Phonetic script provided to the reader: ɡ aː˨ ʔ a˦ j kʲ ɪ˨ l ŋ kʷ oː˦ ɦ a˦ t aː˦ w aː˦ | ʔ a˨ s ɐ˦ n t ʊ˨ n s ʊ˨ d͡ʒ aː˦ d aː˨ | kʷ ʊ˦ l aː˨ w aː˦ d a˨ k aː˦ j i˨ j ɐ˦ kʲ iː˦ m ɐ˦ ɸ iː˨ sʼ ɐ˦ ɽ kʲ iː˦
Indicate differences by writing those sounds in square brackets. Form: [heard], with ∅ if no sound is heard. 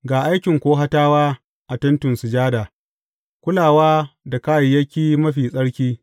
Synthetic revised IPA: ɡ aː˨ ʔ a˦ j kʲ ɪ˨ [∅] ŋ kʷ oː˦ ɦ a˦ t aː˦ w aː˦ | ʔ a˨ [t] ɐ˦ n t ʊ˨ n s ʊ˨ d͡ʒ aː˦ d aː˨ | kʷ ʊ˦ l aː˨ w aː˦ d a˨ k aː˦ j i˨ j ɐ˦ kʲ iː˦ m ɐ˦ ɸ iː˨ sʼ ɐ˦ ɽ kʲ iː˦